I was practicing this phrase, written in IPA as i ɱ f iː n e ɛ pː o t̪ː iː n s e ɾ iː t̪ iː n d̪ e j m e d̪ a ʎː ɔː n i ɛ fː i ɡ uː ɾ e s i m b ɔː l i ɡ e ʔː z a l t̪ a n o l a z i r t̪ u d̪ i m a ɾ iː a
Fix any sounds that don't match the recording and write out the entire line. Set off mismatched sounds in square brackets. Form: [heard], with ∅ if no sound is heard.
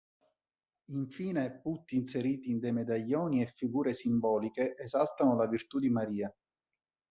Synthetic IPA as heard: i ɱ f iː n e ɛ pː [u] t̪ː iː n s e ɾ iː t̪ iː n d̪ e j m e d̪ a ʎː ɔː n i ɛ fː i ɡ uː ɾ e s i m b ɔː l i [k] e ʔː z a l t̪ a n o l a [v] i r t̪ u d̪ i m a ɾ iː a